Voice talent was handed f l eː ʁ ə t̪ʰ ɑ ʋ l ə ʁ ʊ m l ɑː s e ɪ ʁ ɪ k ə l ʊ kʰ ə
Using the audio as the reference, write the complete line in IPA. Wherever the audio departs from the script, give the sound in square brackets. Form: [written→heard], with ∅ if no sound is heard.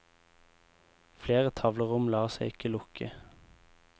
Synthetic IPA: f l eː ʁ ə t̪ʰ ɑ ʋ l ə ʁ ʊ m l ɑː s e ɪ [ʁ→∅] ɪ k ə l ʊ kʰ ə

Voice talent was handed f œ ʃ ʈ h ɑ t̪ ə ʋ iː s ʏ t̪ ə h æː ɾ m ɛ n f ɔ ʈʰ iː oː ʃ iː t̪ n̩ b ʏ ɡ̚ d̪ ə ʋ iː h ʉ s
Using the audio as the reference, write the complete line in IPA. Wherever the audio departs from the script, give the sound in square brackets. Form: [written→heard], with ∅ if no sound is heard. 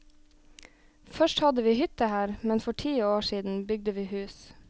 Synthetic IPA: f œ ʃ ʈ h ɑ [t̪→d̪] ə ʋ iː [s→h] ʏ t̪ ə h æː ɾ m ɛ n f ɔ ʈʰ iː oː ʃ iː [t̪→d̪] n̩ b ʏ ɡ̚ d̪ ə ʋ iː h [ʉ→ʉː] s

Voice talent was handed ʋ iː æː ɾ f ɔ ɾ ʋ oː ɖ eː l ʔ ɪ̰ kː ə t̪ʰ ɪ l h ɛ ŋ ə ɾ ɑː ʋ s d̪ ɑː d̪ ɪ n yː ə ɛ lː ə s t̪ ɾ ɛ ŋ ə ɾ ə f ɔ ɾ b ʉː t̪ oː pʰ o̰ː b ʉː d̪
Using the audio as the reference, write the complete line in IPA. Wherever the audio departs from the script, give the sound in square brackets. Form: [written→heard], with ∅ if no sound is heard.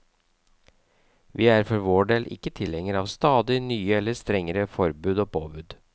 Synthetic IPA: ʋ iː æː ɾ f ɔ ɾ ʋ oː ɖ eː l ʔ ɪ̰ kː ə t̪ʰ ɪ l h ɛ ŋ ə ɾ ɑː ʋ s [d̪→t̪] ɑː d̪ ɪ n yː ə ɛ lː ə s t̪ ɾ ɛ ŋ ə ɾ ə f ɔ ɾ b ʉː [t̪→d̪] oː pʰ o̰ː b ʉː d̪

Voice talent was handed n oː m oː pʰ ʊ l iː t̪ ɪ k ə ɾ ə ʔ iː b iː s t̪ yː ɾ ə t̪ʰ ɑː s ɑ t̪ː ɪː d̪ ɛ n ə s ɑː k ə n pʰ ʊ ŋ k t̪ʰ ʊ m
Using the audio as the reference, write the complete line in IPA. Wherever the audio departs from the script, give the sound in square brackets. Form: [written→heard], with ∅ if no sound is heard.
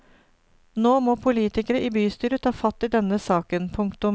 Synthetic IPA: n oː m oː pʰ ʊ l iː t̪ ɪ k ə ɾ ə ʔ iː b [iː→yː] s t̪ yː ɾ ə t̪ʰ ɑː [s→f] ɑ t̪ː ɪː d̪ ɛ n ə s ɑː k ə n pʰ ʊ ŋ k [t̪ʰ→t̪] ʊ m

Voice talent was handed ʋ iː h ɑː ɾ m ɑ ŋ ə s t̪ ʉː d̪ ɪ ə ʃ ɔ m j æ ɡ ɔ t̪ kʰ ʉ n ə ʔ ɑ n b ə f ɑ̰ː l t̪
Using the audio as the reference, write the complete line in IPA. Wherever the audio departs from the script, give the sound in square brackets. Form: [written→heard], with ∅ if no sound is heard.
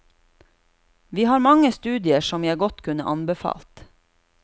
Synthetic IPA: ʋ iː h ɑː ɾ m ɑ ŋ ə s t̪ ʉː d̪ ɪ ə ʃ ɔ m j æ ɡ ɔ t̪ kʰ ʉ n ə ʔ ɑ n b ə f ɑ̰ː l t̪

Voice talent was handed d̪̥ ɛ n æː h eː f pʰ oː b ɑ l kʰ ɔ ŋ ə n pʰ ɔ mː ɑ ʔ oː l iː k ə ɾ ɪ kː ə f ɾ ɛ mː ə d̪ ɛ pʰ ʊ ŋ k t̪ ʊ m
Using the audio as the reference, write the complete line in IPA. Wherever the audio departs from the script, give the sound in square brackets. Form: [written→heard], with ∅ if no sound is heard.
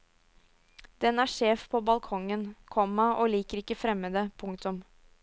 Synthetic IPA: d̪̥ ɛ n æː [h→ʂ] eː f pʰ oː b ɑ l kʰ ɔ ŋ ə n [pʰ→kʰ] ɔ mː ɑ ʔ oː l iː k ə ɾ ɪ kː ə f ɾ ɛ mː ə d̪ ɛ pʰ ʊ ŋ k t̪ ʊ m

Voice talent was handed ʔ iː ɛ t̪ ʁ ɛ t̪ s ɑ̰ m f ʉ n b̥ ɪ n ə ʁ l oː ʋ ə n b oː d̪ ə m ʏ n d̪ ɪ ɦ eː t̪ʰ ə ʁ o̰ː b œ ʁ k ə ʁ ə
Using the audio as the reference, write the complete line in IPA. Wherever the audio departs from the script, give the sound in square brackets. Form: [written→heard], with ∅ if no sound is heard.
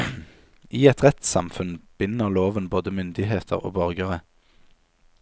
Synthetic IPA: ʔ iː ɛ t̪ ʁ ɛ t̪ s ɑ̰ m f ʉ n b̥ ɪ n ə ʁ l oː ʋ ə n b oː d̪ ə m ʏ n d̪ ɪ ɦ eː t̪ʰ ə ʁ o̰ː b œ ʁ [k→ɡ] ə ʁ ə

